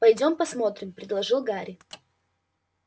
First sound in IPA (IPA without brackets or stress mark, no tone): p